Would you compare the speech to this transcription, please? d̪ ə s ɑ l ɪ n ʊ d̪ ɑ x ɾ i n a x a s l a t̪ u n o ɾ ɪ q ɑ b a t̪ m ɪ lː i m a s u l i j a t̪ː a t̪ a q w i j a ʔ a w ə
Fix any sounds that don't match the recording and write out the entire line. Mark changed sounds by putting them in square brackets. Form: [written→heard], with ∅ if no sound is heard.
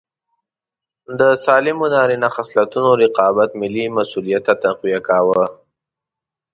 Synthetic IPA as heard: d̪ ə s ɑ l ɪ [n→m] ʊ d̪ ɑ [x→∅] ɾ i n a x a s l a t̪ u n o ɾ ɪ q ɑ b a t̪ m ɪ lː i m a s u l i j a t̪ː a t̪ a q w i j a [ʔ→k] a w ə